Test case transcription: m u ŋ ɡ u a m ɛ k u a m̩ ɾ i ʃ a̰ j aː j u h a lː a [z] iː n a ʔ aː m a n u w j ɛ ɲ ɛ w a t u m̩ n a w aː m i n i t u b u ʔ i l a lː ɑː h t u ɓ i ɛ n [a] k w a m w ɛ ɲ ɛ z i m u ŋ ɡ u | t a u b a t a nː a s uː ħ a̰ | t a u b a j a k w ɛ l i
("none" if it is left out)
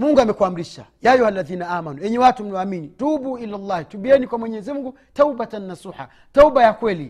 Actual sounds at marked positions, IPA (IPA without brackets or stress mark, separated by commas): ð, i